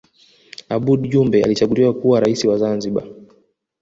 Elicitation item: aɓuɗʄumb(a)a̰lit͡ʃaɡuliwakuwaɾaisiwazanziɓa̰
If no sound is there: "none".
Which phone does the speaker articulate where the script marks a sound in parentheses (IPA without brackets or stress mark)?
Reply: ɛ